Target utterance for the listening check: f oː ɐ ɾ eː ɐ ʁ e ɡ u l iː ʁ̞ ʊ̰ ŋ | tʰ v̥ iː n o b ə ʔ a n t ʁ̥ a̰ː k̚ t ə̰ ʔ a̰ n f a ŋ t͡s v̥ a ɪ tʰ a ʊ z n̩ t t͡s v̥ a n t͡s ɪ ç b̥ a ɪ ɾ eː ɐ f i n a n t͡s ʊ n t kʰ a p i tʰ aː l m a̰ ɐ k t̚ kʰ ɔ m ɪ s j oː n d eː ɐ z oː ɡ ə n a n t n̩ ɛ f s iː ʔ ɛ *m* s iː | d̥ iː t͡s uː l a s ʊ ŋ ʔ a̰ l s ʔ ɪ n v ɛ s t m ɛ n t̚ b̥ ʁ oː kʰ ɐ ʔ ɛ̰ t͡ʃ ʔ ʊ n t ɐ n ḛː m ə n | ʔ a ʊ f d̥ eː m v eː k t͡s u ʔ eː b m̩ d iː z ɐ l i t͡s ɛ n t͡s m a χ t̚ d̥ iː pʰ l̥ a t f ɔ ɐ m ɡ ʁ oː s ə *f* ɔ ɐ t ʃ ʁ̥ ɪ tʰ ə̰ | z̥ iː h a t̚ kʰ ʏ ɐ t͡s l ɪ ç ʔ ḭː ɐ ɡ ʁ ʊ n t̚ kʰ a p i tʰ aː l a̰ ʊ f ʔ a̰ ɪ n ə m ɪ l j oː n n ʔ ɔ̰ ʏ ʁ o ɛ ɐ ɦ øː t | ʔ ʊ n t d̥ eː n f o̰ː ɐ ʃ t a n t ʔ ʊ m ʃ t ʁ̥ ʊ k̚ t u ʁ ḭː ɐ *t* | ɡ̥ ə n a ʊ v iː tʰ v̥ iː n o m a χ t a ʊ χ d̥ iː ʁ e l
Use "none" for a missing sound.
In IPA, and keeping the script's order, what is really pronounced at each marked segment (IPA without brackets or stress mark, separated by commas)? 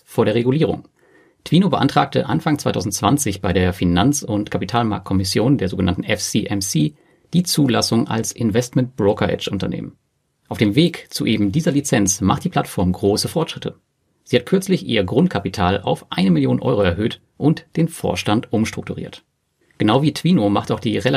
m, f, t